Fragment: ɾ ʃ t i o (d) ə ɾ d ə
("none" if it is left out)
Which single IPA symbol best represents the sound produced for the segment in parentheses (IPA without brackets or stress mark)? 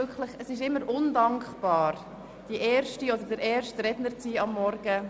d